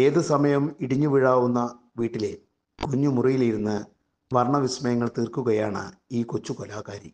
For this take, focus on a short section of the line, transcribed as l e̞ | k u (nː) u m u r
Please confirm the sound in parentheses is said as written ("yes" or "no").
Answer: no